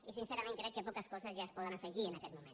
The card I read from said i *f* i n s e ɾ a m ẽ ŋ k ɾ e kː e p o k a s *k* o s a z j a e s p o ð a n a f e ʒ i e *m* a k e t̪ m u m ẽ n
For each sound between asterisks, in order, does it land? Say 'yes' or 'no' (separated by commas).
no, yes, no